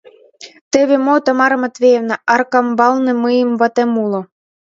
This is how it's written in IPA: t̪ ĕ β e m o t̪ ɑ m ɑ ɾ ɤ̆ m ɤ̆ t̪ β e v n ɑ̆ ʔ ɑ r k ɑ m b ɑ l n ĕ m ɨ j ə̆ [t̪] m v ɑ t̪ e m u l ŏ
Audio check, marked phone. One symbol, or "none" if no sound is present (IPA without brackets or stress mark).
none